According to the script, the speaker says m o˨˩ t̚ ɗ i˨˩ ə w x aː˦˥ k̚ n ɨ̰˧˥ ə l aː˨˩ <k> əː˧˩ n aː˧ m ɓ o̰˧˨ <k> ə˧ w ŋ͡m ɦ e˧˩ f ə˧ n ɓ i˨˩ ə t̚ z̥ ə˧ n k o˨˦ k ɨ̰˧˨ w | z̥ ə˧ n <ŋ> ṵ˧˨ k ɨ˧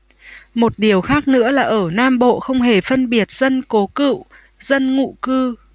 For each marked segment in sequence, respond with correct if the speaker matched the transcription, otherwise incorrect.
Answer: incorrect, incorrect, correct

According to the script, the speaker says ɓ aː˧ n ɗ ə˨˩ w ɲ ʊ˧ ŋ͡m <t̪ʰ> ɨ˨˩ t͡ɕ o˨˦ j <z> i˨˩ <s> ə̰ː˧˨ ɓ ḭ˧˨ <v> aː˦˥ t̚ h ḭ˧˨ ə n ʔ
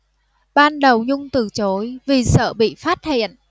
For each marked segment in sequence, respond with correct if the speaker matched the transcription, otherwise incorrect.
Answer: incorrect, incorrect, correct, incorrect

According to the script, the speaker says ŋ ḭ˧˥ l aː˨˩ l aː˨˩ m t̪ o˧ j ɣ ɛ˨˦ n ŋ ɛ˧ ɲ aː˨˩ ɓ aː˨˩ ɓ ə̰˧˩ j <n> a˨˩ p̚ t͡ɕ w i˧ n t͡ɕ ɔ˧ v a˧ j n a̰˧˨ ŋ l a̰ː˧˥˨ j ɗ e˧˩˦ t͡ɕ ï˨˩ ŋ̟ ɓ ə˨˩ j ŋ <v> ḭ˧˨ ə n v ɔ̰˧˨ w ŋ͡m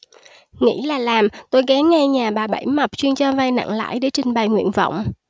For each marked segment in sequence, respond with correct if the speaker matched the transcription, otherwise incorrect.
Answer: incorrect, incorrect

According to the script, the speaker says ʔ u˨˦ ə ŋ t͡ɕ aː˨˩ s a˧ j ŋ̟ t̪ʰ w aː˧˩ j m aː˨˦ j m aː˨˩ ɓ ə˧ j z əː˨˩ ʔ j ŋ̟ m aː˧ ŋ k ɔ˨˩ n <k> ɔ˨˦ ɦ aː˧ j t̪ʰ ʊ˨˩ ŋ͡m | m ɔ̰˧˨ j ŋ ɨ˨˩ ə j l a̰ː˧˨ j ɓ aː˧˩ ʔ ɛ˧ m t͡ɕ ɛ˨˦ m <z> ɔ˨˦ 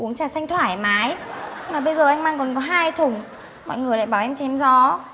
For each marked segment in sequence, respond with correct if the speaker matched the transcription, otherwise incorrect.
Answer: correct, correct

